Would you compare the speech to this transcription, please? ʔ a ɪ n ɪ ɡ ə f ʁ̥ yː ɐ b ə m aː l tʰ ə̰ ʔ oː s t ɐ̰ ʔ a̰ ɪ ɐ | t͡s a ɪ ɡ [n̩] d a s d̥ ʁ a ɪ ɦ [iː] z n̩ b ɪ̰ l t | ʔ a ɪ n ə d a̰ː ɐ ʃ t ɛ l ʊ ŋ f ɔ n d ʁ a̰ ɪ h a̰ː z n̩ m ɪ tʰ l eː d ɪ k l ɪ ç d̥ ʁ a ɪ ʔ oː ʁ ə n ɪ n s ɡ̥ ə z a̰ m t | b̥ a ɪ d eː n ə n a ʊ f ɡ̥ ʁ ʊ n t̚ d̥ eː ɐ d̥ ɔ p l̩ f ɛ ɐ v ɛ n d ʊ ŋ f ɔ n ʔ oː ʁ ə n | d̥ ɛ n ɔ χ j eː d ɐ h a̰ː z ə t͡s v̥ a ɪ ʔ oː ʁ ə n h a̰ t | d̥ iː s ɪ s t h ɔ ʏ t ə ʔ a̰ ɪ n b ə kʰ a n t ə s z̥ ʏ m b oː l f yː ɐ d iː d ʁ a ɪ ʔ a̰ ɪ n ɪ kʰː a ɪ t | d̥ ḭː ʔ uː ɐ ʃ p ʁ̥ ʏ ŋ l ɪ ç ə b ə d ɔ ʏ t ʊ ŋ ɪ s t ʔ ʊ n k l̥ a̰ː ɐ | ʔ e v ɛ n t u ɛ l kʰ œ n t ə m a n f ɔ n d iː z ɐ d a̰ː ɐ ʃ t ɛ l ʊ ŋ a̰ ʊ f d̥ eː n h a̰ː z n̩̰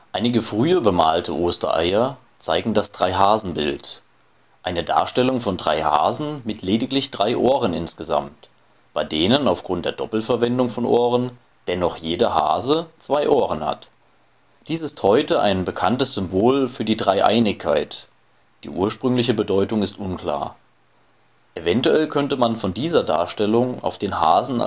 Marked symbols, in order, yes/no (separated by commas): no, no